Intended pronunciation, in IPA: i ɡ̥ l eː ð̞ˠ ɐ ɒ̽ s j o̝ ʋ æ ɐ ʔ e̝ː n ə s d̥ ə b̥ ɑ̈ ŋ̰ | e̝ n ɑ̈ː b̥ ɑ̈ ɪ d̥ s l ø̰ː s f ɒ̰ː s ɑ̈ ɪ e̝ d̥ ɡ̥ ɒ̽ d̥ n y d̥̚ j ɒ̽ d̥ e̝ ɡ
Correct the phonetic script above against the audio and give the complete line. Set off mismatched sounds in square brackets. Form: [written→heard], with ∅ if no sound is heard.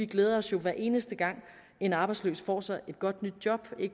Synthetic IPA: i ɡ̥ l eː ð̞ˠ ɐ ɒ̽ s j o̝ ʋ æ ɐ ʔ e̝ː n ə s d̥ ə [b̥→ɡ̥] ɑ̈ ŋ̰ | e̝ n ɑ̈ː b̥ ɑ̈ ɪ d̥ s l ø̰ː s f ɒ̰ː s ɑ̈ ɪ e̝ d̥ ɡ̥ ɒ̽ d̥ n y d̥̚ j ɒ̽ [d̥→b̥] e̝ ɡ